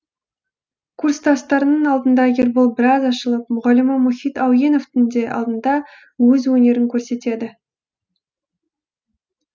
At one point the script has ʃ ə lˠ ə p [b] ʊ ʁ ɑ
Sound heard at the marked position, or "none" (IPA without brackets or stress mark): m